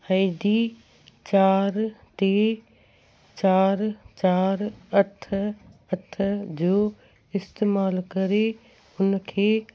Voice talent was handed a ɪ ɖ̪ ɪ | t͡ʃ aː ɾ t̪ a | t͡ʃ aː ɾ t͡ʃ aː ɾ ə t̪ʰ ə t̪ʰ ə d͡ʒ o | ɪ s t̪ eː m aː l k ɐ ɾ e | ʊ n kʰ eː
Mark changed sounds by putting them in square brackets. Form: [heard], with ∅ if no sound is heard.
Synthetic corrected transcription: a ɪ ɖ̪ [i] | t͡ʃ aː ɾ t̪ [e] | t͡ʃ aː ɾ t͡ʃ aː ɾ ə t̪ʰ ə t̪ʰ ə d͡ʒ o | ɪ s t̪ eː m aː l k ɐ ɾ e | ʊ n kʰ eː